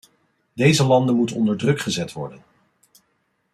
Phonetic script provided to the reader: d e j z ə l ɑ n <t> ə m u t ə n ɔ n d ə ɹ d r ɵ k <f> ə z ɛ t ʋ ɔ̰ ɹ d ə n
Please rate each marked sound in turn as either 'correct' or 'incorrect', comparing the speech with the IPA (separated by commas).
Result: incorrect, incorrect